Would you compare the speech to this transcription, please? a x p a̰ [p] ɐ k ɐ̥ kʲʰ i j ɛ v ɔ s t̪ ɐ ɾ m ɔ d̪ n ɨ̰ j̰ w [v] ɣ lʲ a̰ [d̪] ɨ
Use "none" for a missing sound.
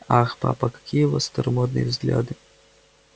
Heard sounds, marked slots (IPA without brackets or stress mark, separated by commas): p, z, d̪